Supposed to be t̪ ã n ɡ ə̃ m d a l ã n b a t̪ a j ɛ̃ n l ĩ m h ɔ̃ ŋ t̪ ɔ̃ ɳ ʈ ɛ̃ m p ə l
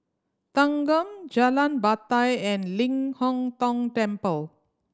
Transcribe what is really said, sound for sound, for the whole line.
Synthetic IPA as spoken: t̪ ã ŋ ɡ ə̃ m d͡ʒ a l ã n b a t̪ a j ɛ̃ n l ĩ ŋ h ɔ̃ ŋ t̪ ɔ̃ ŋ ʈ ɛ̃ m p ə l